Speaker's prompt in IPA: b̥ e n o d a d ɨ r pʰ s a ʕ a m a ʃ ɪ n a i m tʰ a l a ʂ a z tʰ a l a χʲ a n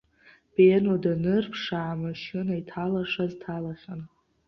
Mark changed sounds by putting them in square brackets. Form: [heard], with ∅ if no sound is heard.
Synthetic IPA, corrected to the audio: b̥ e n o d a [n] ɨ r pʰ [ʂ] a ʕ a m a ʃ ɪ n a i [∅] tʰ a l a ʂ a z tʰ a l a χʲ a n